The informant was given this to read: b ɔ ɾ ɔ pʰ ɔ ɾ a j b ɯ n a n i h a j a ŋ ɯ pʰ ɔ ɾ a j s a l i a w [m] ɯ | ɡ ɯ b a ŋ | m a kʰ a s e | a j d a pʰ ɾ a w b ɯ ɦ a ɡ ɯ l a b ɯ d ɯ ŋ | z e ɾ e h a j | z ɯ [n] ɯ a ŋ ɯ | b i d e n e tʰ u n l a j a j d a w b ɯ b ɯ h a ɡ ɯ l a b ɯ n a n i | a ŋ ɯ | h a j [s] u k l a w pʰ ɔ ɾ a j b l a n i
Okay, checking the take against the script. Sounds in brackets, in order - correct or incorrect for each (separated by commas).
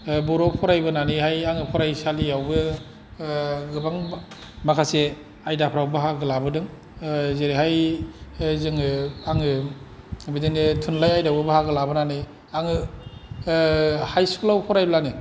incorrect, incorrect, correct